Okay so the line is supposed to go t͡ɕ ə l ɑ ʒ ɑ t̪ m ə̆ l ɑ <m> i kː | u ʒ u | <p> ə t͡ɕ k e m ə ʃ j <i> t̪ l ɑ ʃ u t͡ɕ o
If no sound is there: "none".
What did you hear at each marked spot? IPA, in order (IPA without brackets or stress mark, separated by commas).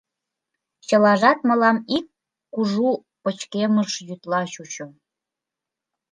m, p, y